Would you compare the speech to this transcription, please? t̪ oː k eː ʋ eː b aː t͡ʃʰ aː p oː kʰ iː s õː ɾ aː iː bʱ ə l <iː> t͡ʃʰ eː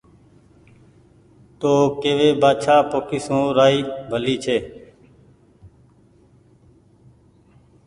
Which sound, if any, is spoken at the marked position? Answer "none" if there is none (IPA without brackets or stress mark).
iː